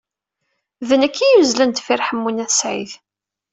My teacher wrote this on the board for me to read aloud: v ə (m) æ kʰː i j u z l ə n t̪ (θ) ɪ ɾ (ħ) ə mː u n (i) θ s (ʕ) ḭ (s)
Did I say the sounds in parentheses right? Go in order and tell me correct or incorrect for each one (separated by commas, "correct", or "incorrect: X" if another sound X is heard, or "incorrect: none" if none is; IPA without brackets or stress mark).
incorrect: n, incorrect: f, correct, incorrect: æ, correct, incorrect: θ